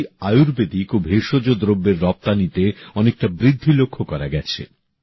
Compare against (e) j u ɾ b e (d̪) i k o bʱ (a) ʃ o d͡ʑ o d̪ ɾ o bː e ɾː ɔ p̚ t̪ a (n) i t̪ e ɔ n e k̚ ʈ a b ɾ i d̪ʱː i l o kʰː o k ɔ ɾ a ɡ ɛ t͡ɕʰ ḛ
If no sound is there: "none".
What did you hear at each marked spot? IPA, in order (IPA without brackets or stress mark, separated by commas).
a, d̪, e, n